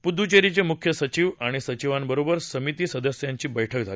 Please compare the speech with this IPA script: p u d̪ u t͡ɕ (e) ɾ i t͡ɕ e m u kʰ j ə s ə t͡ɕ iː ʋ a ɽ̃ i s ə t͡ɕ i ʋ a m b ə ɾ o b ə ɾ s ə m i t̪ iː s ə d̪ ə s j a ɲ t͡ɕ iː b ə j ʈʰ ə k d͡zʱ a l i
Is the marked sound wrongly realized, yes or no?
no